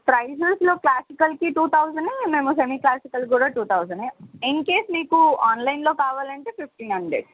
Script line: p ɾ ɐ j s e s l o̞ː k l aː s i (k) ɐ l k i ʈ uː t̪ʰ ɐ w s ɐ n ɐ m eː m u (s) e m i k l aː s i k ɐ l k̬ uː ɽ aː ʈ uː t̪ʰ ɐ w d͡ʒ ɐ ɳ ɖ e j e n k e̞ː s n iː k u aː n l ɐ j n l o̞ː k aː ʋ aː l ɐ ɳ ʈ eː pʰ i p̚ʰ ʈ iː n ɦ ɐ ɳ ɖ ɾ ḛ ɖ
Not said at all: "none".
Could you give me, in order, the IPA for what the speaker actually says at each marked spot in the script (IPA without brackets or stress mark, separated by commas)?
k, s